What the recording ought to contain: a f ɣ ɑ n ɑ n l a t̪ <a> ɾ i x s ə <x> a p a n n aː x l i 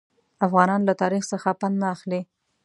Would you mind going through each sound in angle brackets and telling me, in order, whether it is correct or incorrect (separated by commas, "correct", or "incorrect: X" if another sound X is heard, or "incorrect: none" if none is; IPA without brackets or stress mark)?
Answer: incorrect: ɑ, correct